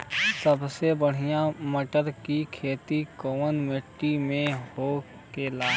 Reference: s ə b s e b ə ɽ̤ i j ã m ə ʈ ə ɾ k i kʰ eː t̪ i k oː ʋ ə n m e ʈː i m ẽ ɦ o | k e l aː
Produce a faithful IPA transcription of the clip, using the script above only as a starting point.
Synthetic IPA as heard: s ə b s e b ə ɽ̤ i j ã m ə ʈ ə ɾ k i kʰ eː t̪ i k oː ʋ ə n m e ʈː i m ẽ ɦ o | k e l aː